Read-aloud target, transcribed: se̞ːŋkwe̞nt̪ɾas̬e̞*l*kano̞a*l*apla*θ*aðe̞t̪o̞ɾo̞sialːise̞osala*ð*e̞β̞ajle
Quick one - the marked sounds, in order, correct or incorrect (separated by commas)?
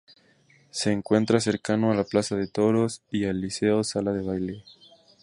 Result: incorrect, correct, incorrect, correct